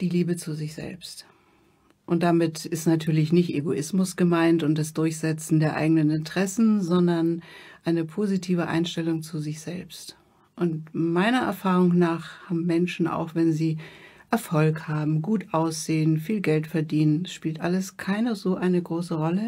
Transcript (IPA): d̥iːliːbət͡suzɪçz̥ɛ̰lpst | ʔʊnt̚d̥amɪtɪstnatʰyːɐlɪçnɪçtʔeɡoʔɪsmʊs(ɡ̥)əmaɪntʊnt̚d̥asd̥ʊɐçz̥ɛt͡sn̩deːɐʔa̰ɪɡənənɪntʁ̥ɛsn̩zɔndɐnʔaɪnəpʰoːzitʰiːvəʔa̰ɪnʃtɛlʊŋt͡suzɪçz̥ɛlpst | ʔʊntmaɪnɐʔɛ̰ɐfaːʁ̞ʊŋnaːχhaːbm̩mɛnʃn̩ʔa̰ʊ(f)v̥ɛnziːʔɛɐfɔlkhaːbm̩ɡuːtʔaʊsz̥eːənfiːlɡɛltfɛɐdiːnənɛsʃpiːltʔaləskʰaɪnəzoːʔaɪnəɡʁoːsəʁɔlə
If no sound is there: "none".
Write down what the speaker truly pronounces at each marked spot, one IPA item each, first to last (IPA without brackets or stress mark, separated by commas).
ɡ̥, x